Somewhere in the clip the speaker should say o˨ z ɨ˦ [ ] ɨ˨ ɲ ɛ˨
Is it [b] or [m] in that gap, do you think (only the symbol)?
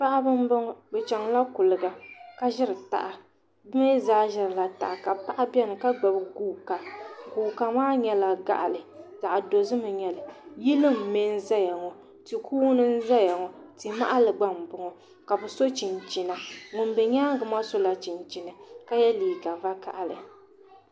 m